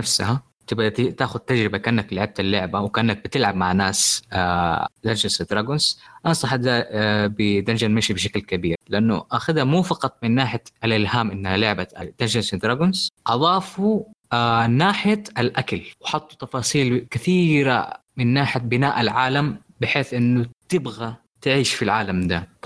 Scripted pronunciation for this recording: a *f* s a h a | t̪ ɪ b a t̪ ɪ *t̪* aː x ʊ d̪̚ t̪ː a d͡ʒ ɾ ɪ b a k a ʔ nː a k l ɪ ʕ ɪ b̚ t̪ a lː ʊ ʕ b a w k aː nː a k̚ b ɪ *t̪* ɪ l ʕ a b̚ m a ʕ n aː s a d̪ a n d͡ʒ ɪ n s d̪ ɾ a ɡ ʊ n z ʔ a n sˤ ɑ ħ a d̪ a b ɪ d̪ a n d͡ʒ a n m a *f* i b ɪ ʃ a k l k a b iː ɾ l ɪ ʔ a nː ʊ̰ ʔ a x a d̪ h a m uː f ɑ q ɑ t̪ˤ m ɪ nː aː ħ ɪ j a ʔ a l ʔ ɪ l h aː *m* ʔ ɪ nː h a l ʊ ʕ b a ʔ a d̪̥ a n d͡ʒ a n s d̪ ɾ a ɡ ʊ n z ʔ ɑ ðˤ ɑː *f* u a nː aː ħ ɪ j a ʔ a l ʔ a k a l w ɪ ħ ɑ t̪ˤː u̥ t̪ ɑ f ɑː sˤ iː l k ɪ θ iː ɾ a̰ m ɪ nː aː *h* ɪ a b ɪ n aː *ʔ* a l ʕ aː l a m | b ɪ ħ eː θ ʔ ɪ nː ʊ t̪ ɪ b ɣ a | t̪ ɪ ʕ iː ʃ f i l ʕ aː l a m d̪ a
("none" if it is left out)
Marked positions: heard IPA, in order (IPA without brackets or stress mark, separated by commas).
f, t̪, t̪, ʃ, m, f, ħ, ʔ